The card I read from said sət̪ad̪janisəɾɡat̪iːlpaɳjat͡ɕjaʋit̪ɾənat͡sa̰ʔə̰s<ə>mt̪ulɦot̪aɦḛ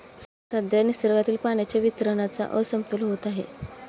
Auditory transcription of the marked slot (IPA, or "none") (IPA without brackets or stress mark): ə